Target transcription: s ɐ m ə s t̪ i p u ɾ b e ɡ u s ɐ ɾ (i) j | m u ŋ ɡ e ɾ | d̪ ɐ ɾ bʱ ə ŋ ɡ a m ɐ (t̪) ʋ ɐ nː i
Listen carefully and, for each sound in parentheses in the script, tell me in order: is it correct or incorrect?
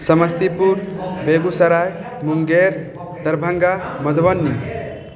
incorrect: a, incorrect: d̪

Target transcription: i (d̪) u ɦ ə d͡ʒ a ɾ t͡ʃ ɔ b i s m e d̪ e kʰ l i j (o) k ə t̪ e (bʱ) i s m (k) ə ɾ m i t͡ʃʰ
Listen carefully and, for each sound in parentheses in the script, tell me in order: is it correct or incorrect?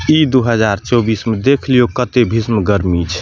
correct, correct, correct, incorrect: ɡ

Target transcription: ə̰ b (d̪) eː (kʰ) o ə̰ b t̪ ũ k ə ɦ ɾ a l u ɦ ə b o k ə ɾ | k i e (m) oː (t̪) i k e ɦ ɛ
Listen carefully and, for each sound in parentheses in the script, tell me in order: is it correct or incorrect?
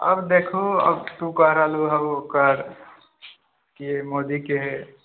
correct, correct, correct, incorrect: d̪

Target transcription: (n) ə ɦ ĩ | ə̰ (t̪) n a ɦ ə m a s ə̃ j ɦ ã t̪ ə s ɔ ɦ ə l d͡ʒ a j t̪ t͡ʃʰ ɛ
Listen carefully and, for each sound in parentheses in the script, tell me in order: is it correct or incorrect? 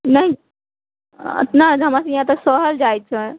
correct, correct

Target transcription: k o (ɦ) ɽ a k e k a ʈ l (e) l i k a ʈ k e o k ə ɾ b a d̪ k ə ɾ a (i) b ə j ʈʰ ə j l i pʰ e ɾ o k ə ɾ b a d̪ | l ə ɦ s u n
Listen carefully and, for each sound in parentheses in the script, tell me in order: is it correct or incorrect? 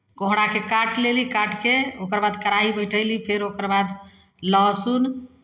correct, correct, correct

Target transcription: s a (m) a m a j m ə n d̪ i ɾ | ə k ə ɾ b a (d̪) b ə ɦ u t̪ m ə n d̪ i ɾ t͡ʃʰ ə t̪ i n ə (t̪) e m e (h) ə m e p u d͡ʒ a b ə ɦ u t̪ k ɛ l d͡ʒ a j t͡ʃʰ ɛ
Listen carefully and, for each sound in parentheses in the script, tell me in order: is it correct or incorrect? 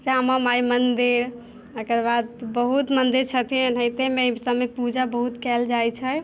correct, correct, correct, incorrect: s

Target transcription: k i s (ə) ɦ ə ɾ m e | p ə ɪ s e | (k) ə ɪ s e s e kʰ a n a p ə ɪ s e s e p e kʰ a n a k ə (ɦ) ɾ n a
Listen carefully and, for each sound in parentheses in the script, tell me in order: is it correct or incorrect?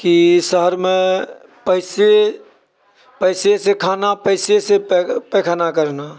correct, incorrect: p, incorrect: none

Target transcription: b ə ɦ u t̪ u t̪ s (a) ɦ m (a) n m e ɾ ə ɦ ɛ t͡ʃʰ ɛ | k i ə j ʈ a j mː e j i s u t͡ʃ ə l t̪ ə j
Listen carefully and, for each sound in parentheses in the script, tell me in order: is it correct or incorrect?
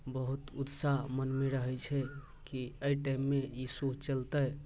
correct, incorrect: ə

